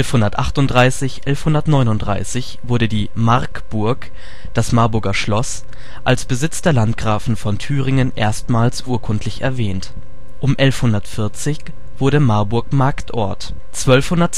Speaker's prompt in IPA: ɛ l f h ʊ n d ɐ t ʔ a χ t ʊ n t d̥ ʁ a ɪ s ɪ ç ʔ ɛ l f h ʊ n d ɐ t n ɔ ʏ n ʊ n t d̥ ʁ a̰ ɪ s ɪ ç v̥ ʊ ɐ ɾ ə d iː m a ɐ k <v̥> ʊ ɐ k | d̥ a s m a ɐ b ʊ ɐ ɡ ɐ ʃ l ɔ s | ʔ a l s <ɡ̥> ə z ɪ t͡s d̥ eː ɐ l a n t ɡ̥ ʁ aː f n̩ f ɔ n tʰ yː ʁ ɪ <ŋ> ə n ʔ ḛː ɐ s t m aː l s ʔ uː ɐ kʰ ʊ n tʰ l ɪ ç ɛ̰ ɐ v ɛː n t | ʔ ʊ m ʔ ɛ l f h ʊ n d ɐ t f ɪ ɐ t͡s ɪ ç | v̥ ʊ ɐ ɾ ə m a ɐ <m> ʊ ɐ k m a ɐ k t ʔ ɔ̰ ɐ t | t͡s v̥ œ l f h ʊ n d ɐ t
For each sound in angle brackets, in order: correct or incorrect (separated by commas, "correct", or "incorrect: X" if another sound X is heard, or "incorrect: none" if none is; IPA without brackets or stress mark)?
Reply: incorrect: b̥, incorrect: b̥, correct, incorrect: b